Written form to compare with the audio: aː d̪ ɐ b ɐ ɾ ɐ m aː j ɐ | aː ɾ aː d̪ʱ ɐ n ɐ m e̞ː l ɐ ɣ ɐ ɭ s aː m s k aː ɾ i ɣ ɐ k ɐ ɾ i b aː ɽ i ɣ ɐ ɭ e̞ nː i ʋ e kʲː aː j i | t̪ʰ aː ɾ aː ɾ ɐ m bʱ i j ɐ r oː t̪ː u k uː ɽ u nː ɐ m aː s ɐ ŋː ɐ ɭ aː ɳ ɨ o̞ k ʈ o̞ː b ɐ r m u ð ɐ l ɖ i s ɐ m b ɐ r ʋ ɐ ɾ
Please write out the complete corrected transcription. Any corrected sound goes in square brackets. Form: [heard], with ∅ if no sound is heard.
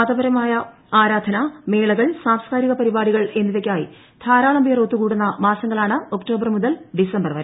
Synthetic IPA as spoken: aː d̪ ɐ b ɐ ɾ ɐ m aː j ɐ | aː ɾ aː d̪ʱ ɐ n ɐ m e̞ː [ɭ] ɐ ɣ ɐ ɭ s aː m s k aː ɾ i ɣ ɐ [p] ɐ ɾ i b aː ɽ i ɣ ɐ ɭ e̞ nː i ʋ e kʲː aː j i | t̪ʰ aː ɾ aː [ɭ] ɐ m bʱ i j ɐ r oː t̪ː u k uː ɽ u nː ɐ m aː s ɐ ŋː ɐ ɭ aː ɳ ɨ o̞ k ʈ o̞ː b ɐ r m u ð ɐ l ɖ i s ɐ m b ɐ r ʋ ɐ ɾ